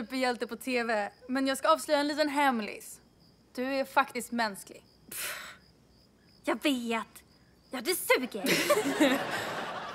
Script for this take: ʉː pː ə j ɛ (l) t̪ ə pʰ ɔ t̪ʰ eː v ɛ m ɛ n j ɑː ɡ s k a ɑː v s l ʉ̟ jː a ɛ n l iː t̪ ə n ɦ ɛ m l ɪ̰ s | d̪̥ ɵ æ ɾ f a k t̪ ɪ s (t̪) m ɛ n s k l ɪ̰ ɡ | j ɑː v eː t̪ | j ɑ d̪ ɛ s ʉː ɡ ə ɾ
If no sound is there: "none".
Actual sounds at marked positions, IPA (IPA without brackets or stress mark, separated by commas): l, t̪